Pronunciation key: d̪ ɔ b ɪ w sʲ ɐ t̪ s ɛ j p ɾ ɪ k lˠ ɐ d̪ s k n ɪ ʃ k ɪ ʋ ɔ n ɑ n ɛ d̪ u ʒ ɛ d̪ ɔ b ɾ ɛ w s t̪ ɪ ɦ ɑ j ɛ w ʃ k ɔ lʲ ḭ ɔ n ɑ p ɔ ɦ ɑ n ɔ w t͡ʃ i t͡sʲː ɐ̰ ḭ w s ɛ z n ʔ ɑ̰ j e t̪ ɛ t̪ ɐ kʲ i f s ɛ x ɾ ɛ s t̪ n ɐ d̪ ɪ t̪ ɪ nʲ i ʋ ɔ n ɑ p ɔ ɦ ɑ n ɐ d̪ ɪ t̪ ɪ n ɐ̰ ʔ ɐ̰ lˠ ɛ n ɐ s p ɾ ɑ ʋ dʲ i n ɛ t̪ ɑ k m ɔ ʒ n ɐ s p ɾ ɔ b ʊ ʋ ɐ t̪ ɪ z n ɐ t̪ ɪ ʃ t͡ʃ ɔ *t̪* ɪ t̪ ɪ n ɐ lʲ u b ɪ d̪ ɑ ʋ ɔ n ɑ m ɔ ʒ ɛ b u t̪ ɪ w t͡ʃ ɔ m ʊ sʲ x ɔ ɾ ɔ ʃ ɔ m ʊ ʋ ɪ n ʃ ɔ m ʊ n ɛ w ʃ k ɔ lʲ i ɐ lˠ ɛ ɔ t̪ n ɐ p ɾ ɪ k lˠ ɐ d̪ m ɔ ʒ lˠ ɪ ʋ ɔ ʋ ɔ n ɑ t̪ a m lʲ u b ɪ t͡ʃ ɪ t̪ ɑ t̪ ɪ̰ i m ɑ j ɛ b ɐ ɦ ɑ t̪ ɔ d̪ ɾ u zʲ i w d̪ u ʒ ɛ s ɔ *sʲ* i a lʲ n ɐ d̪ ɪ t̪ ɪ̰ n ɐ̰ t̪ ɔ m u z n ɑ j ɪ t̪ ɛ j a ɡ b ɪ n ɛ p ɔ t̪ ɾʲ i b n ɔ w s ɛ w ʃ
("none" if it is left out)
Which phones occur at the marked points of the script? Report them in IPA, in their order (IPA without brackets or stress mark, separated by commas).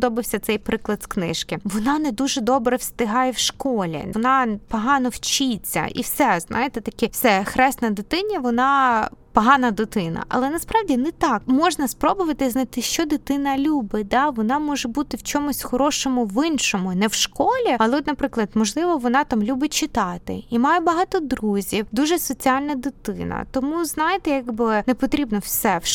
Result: d̪, t͡sʲ